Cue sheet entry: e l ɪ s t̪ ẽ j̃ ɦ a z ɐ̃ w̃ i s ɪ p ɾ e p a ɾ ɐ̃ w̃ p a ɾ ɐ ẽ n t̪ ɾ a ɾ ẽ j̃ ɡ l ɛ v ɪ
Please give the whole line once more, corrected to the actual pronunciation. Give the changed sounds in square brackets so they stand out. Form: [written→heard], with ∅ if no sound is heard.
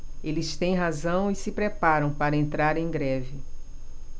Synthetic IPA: e l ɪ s t̪ ẽ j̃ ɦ a z ɐ̃ w̃ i s ɪ p ɾ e p a ɾ ɐ̃ w̃ p a ɾ ɐ ẽ n t̪ ɾ a ɾ ẽ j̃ ɡ [l→ɾ] ɛ v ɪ